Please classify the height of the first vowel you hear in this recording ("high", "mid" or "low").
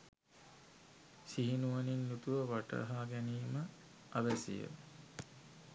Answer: high